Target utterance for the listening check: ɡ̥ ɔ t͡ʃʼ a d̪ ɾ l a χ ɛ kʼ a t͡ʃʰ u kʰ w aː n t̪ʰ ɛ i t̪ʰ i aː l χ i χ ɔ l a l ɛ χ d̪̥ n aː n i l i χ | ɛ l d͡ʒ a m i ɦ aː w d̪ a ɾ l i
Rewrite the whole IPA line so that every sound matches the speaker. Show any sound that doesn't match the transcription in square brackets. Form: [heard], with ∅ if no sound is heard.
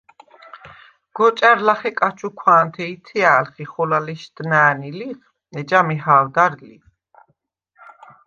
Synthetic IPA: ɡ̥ ɔ t͡ʃʼ a [∅] ɾ l a χ ɛ kʼ a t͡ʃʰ u kʰ w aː n t̪ʰ ɛ i t̪ʰ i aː l χ i χ ɔ l a l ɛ [ʃ] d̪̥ n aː n i l i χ | ɛ [∅] d͡ʒ a m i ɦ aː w d̪ a ɾ l i